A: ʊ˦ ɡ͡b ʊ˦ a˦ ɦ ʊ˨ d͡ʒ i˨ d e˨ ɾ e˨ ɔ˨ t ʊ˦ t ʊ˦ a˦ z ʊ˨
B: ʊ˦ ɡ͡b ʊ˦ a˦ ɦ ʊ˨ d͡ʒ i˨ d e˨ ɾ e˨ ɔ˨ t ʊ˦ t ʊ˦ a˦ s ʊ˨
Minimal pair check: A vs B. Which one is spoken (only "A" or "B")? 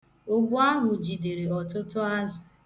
A